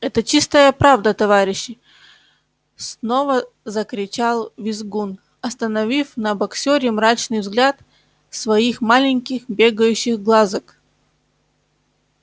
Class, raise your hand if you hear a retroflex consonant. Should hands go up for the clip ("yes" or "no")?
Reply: no